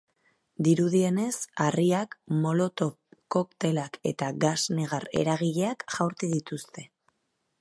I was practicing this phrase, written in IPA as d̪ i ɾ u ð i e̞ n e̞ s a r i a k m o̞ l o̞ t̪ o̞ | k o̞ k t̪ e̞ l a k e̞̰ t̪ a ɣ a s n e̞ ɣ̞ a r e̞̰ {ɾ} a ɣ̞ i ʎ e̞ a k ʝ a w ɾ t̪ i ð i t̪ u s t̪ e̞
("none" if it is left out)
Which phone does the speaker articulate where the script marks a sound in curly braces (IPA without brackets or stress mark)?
ɾ